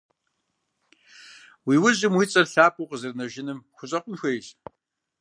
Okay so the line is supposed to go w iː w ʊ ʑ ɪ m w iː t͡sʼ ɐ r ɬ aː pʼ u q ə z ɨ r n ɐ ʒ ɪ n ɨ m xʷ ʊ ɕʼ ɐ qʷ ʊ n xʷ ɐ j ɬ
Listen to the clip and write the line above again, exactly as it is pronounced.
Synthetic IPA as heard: w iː w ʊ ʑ ɪ m w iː t͡sʼ ɐ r ɬ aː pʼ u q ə z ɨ r n ɐ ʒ ɪ n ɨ m xʷ ʊ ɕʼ ɐ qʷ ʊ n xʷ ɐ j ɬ